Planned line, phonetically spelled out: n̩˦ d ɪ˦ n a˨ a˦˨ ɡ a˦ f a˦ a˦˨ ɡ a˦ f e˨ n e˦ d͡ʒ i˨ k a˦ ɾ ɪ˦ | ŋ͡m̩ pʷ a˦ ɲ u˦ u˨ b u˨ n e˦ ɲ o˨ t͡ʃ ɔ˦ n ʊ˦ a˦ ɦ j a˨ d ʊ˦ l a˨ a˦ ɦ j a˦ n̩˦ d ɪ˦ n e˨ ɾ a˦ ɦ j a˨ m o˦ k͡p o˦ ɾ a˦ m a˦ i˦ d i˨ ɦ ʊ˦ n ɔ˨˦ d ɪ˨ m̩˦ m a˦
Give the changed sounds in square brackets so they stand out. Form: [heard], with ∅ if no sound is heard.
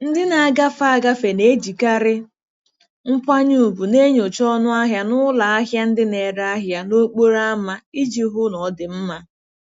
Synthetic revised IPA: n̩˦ d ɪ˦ n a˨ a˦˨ ɡ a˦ f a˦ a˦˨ ɡ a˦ f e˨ n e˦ d͡ʒ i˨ k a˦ ɾ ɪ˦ | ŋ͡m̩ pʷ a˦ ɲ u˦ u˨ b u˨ n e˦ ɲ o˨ t͡ʃ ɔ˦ n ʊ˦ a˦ ɦ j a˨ [n] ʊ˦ l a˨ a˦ ɦ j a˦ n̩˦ d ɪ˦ n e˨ ɾ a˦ ɦ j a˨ [n] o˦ k͡p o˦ ɾ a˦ m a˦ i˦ [d͡ʒ] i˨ ɦ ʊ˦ n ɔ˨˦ d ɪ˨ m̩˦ m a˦